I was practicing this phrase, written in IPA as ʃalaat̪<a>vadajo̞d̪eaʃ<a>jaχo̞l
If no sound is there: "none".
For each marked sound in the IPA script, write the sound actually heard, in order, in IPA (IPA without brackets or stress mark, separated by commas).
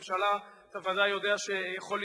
a, e